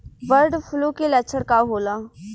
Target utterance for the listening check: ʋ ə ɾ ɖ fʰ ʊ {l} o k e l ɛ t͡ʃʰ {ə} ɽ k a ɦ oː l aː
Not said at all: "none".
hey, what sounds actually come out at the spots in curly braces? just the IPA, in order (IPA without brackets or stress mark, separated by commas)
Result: l, ə